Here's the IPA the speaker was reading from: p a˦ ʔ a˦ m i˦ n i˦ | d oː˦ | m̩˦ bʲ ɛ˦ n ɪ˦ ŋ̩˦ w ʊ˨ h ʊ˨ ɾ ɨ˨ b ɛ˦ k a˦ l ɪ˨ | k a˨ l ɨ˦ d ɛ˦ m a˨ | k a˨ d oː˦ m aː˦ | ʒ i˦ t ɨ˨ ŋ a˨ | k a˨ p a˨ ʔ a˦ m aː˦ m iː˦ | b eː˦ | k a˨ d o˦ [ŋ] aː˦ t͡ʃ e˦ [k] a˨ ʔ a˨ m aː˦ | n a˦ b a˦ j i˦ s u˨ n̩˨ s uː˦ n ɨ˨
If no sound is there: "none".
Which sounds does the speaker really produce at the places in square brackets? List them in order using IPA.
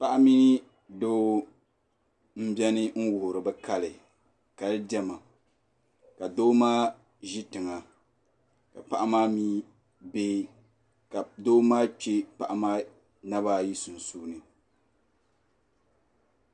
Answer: m, p

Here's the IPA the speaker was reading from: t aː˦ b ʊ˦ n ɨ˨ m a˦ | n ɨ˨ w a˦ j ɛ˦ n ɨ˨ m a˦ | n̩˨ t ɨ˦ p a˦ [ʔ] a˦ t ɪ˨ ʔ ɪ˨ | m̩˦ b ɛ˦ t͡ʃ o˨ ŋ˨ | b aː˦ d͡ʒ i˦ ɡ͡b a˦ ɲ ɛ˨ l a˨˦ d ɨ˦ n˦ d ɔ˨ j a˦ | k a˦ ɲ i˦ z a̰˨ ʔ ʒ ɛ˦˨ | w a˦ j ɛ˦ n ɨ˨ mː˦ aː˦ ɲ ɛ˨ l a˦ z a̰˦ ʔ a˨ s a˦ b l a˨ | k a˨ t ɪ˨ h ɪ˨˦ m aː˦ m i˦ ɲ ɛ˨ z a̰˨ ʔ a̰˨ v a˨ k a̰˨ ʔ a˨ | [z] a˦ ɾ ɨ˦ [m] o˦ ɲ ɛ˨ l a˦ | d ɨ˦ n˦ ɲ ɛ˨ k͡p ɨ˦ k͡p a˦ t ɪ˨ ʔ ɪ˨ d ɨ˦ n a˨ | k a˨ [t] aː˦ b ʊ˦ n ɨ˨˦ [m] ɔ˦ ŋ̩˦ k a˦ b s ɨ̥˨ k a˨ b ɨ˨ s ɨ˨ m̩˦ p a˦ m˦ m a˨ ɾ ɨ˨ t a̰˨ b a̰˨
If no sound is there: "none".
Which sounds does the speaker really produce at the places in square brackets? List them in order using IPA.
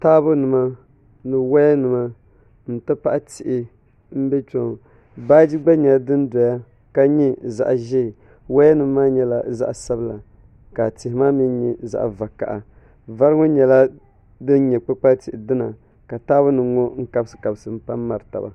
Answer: ʔ, v, ŋ, t, ŋ

